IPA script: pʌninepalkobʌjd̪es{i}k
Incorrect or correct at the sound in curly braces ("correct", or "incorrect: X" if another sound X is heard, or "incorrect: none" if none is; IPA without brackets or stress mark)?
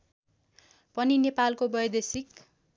correct